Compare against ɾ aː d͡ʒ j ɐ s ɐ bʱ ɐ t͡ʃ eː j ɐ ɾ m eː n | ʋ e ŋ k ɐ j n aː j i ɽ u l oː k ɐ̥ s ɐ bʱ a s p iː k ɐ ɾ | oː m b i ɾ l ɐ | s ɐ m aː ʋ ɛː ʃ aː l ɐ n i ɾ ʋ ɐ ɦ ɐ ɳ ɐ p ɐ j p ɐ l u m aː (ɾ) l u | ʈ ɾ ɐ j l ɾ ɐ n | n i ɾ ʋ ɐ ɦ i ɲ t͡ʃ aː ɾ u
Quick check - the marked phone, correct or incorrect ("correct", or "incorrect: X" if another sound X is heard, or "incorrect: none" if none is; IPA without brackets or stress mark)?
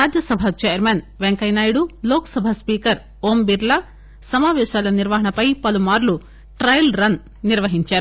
correct